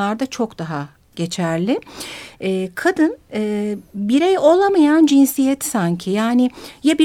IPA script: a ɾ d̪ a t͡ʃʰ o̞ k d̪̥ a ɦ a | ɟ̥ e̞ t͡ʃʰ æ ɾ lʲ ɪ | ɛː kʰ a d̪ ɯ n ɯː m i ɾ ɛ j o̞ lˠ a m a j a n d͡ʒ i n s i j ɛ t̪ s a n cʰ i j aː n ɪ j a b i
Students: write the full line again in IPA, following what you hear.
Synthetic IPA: a ɾ d̪ a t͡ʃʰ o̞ k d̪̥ a ɦ a | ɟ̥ e̞ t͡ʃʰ æ ɾ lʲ ɪ | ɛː kʰ a d̪ ɯ n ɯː b i ɾ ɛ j o̞ lˠ a m a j a n d͡ʒ i n s i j ɛ t̪ s a ɲ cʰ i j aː n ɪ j a b i